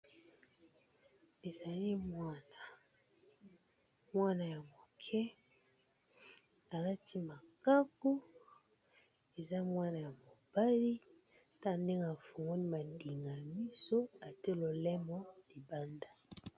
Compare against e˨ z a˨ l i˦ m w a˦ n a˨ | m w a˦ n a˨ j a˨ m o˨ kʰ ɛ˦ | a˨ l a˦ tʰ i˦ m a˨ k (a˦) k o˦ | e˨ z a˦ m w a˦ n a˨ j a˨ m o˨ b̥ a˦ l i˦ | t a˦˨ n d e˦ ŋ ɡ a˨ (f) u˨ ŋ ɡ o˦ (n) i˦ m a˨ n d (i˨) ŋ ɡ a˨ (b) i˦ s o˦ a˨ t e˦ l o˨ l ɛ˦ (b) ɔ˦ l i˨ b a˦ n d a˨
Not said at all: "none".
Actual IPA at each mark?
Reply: a˦, f, n, i˨, m, m

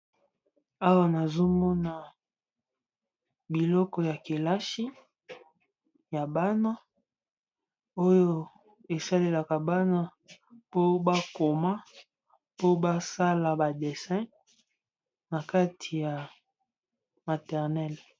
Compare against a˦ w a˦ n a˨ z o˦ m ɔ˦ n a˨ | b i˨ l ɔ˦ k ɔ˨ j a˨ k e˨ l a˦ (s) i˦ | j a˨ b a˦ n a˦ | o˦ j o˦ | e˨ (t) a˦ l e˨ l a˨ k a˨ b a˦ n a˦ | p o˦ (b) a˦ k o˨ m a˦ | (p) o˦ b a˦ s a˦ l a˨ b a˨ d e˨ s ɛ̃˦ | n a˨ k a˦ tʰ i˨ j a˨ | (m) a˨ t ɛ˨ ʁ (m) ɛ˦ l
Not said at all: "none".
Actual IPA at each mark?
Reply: ʃ, s, b, p, m, n

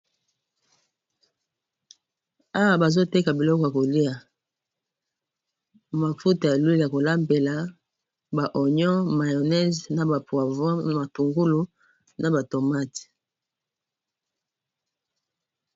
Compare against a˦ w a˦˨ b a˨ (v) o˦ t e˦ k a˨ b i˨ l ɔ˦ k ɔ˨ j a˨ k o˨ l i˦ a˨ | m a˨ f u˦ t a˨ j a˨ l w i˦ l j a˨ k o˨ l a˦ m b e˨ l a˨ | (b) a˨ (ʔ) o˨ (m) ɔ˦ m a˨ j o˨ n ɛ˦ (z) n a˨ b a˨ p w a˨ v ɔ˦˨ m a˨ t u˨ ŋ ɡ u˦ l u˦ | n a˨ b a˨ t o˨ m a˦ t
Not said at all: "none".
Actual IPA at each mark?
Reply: z, b, ʔ, ɲ, z

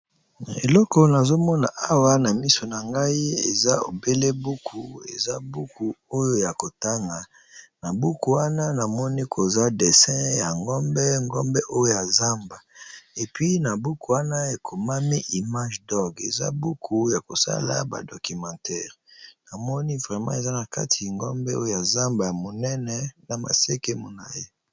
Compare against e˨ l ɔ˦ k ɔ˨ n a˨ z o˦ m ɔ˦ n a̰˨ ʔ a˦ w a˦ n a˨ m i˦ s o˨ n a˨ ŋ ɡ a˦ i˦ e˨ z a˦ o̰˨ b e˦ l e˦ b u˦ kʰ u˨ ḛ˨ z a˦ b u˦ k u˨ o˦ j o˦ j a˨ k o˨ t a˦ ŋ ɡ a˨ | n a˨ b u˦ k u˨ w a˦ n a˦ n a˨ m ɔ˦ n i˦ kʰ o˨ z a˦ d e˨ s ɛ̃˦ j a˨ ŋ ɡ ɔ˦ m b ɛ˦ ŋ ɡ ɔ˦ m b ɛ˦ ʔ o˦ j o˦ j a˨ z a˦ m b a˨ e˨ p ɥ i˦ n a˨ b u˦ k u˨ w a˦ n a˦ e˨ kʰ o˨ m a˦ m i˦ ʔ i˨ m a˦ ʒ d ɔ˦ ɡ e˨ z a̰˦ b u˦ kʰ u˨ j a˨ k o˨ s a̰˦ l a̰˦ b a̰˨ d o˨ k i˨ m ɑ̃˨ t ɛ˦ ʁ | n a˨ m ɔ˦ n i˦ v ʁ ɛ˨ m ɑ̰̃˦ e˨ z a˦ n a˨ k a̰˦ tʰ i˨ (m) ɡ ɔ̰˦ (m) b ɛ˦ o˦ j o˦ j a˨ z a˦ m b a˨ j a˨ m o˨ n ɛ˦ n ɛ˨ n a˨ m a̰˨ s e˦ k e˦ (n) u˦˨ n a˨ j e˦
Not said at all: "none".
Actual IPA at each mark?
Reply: ŋ, m, m

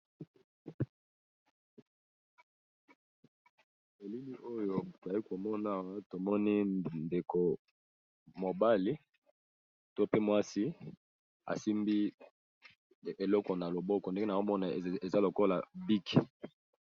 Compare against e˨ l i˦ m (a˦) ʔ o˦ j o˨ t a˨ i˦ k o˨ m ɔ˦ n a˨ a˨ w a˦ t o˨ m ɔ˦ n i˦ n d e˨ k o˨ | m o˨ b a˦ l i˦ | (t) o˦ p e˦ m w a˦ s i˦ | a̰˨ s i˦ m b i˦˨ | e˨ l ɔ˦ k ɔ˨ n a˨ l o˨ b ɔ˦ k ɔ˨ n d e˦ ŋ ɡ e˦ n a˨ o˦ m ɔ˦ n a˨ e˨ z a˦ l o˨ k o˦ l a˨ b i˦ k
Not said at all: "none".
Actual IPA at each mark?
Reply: i˦, t

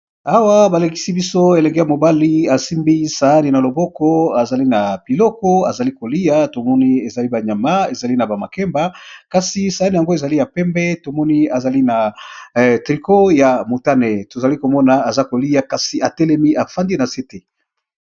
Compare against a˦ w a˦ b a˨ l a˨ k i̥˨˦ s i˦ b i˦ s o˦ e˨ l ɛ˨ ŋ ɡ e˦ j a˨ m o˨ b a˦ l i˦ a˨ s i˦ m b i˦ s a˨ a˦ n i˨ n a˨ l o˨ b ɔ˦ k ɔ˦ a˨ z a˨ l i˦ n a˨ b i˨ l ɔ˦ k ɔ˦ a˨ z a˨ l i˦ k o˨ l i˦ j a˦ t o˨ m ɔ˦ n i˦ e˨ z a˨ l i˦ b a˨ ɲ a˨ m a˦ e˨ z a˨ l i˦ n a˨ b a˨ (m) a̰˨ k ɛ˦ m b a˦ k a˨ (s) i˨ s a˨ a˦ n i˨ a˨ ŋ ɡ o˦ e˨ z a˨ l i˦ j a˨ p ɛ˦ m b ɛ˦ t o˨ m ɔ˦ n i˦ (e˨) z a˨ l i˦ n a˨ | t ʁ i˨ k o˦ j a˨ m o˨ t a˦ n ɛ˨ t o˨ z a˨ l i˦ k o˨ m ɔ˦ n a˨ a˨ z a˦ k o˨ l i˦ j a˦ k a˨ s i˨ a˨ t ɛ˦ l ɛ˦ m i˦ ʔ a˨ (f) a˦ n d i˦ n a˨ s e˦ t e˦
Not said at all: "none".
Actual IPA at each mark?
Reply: m, s, a˨, f

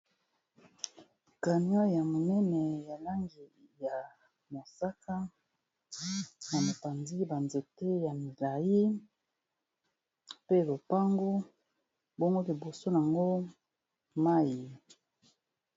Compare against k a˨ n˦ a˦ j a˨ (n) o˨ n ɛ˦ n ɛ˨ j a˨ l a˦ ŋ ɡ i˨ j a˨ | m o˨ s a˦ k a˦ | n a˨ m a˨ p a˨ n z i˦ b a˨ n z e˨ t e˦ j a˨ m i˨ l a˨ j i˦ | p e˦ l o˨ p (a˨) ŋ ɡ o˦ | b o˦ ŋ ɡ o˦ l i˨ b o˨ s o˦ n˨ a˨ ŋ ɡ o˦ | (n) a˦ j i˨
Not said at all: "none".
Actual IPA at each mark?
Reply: m, a˦, m

